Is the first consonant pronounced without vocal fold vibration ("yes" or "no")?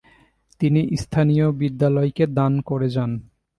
yes